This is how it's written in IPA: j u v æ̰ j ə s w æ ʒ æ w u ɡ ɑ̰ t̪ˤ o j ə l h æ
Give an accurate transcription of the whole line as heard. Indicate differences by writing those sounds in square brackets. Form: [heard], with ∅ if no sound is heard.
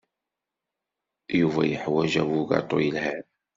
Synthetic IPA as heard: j u v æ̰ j ə [ħ] w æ ʒ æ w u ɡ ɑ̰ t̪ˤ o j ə l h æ